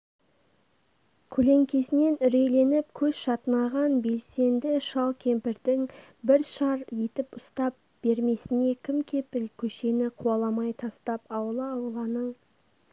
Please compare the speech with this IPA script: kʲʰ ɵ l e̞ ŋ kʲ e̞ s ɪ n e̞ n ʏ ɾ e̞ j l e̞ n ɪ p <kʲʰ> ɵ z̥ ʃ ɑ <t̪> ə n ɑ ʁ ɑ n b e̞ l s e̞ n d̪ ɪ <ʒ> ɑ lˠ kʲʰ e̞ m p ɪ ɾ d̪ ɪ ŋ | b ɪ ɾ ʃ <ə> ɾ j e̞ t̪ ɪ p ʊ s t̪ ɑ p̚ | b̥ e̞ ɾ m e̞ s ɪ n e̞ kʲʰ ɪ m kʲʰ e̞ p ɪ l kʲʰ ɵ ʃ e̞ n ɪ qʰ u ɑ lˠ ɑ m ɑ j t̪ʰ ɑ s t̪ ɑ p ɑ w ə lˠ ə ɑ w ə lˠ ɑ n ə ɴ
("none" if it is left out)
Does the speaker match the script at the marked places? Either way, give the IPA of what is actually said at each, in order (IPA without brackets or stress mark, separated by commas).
kʲʰ, t̪, ʃ, ɑ